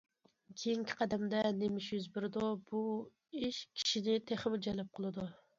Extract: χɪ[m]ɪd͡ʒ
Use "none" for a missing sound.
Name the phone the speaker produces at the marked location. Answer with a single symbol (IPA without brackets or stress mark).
m